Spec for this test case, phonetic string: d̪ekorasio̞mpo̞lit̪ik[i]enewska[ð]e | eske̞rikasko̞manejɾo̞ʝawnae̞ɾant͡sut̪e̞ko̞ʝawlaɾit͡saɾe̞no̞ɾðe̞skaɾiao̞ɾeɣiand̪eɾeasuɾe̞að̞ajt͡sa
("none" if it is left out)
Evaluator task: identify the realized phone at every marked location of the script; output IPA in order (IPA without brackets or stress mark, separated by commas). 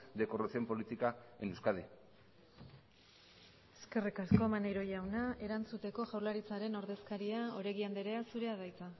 a, ð